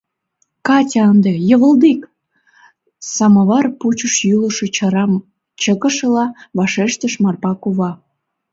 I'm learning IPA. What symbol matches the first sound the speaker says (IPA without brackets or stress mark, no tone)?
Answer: k